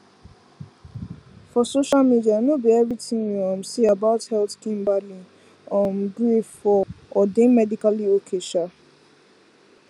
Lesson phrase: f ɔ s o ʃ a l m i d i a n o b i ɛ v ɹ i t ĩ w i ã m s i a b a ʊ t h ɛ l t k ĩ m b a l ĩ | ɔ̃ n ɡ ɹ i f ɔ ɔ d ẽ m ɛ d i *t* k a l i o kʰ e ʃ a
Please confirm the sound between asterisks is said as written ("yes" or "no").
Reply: no